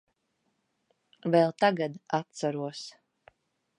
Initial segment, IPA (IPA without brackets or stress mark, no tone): v